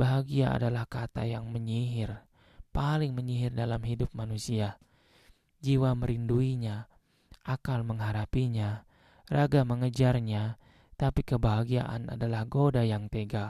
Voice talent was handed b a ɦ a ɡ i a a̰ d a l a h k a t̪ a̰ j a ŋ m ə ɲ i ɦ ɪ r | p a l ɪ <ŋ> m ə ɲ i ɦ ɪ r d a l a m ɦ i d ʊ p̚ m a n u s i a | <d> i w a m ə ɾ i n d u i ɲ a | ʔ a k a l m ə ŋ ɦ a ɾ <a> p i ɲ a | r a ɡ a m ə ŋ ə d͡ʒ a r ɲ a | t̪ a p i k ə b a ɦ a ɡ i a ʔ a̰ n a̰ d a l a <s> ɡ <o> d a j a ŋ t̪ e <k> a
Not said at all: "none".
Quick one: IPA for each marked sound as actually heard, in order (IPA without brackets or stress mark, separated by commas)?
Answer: ŋ, d͡ʒ, a, h, o, ɡ